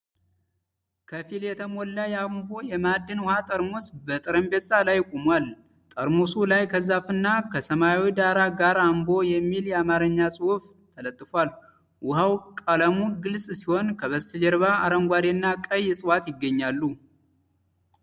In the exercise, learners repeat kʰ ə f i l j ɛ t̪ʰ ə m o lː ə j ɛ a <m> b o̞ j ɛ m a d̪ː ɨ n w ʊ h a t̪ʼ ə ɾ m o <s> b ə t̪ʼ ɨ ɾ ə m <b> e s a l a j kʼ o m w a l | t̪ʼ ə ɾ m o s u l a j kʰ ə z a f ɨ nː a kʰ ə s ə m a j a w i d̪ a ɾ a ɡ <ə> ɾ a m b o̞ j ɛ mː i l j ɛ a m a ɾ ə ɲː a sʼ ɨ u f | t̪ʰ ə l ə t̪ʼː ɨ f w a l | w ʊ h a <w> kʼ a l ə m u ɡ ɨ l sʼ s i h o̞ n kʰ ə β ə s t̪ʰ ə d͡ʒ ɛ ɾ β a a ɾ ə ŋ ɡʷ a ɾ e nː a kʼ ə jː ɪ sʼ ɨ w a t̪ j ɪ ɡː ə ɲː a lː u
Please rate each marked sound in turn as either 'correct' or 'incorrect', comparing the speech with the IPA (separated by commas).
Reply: correct, correct, correct, incorrect, correct